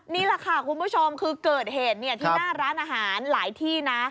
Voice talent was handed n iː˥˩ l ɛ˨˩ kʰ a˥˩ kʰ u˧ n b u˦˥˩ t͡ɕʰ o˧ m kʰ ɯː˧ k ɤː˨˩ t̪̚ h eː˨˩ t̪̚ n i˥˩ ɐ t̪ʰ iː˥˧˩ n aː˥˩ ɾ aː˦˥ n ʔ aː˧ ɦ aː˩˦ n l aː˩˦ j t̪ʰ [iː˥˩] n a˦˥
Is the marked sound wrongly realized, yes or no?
no